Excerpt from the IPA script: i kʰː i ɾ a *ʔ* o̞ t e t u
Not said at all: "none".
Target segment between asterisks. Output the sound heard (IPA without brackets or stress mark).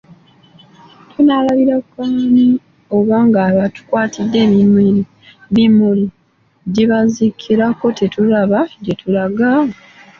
k